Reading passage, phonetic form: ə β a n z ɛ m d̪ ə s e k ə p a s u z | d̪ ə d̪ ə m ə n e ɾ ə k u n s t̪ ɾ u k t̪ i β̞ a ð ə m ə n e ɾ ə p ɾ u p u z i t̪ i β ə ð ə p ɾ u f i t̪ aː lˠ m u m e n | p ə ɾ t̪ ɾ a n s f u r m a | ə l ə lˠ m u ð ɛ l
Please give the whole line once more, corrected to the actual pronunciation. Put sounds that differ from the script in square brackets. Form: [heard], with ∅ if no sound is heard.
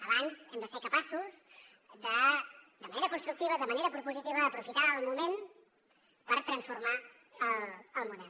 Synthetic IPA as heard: ə β a n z ɛ m d̪ ə s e k ə p a s u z | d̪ ə d̪ ə m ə n e ɾ ə k u n s t̪ ɾ u k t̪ i β̞ [ə] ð ə m ə n e ɾ ə p ɾ u p u z i t̪ i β ə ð ə p ɾ u f i t̪ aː lˠ m u m e n | p ə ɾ t̪ ɾ [ə] n s f u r m a | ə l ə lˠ m u ð ɛ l